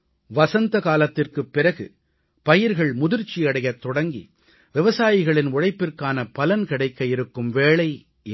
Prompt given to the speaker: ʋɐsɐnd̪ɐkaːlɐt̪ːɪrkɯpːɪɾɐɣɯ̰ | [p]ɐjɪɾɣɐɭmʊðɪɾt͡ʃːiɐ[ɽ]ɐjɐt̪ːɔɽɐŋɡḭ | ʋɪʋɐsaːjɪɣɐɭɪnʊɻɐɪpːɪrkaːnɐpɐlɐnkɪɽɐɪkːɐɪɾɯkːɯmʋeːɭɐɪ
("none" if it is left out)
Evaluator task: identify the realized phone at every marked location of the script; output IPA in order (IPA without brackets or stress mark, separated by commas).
p, ɽ